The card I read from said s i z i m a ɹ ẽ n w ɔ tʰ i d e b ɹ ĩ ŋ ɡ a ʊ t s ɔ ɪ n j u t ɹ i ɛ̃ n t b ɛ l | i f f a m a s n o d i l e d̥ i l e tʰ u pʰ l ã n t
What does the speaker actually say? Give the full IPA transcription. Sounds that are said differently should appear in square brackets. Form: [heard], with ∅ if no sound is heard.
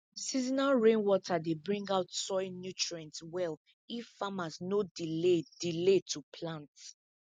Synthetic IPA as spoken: s i z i [n] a ɹ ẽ n w ɔ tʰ [a] d e b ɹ ĩ ŋ ɡ a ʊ t s ɔ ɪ n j u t ɹ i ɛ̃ n t [w] ɛ l | i f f a m a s n o d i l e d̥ i l e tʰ u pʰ l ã n t